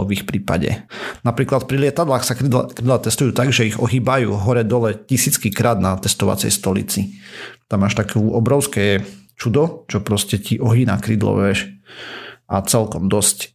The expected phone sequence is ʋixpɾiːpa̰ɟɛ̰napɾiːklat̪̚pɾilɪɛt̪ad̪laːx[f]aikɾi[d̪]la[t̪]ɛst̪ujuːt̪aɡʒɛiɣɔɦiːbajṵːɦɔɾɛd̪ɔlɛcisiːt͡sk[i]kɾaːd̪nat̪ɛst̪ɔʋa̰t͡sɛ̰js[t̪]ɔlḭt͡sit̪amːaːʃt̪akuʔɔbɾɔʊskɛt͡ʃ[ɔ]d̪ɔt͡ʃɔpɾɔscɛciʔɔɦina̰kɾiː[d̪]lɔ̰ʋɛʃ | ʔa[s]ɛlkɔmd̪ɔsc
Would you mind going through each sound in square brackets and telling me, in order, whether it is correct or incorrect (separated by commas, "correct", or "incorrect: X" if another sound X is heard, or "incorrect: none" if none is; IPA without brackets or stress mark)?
incorrect: s, correct, correct, correct, correct, incorrect: u, correct, incorrect: t͡s